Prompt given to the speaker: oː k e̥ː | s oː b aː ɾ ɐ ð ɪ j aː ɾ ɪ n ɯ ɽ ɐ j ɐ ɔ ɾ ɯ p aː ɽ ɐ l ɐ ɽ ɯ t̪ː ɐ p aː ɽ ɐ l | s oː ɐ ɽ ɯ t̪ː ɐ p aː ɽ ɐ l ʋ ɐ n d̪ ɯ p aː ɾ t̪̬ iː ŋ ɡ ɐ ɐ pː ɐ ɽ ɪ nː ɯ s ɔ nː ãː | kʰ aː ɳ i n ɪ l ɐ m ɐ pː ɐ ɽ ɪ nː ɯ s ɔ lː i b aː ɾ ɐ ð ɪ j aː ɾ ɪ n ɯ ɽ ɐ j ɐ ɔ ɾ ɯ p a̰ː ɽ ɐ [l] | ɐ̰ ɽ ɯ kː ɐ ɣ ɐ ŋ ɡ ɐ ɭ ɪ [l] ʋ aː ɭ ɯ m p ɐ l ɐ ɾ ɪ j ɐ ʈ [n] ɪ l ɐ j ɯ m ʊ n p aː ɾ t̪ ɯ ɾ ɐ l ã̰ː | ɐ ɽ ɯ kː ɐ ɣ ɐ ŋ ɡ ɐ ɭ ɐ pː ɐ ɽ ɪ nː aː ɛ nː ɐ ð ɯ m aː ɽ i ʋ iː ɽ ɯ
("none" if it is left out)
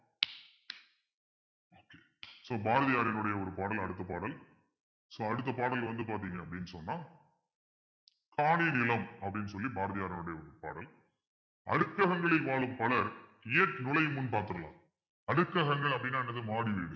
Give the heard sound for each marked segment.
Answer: l, l, n

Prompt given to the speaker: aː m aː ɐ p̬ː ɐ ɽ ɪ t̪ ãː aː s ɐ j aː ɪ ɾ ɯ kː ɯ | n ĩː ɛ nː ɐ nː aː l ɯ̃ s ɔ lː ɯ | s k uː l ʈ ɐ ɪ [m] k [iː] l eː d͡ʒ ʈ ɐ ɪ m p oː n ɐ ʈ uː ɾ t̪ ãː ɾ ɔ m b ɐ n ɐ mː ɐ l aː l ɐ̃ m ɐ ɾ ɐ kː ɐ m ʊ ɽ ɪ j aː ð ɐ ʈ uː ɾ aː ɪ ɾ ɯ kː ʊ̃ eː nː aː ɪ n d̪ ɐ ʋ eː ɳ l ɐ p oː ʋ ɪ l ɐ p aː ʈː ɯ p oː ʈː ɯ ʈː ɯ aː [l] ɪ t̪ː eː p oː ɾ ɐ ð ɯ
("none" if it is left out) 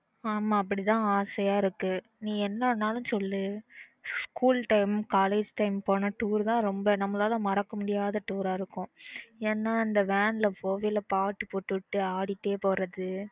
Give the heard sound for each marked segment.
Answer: m, aː, ɽ

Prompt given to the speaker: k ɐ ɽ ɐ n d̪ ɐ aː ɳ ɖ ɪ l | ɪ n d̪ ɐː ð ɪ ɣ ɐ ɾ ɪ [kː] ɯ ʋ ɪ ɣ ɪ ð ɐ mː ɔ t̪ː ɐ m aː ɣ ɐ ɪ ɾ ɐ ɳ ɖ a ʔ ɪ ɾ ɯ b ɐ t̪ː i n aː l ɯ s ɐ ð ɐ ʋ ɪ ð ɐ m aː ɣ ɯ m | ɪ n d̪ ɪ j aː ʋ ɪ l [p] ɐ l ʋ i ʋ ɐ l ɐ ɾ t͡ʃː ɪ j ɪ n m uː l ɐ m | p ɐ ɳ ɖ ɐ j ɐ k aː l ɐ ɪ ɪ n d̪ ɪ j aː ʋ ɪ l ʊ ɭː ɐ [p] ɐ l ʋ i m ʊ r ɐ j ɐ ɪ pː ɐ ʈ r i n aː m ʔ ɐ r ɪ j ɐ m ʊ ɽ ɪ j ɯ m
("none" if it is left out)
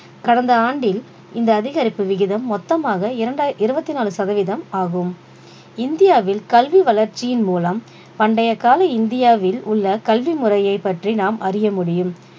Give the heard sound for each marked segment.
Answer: pː, k, k

